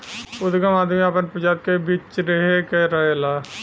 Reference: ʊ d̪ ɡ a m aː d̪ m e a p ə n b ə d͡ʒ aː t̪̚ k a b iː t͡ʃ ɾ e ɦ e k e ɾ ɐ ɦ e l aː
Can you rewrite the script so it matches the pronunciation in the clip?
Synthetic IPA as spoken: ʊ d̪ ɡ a m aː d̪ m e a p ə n p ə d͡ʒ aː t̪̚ k e b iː t͡ʃ ɾ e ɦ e k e ɾ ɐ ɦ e l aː